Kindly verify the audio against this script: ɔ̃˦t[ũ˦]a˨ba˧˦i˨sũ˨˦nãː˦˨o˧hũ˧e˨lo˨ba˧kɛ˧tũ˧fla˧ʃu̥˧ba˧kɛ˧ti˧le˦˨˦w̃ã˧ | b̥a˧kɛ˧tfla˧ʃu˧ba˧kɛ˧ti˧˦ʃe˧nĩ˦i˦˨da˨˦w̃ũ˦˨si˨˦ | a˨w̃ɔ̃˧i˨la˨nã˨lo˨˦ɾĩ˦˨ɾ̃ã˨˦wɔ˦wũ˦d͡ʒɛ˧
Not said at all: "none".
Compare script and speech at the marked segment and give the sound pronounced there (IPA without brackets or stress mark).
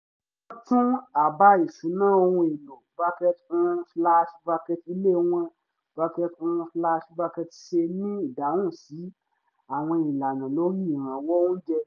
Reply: ũ˦